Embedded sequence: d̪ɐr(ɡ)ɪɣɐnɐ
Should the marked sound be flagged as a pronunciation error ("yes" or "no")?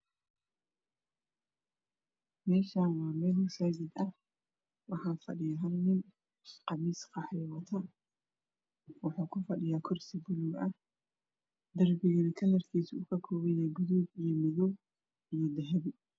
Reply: yes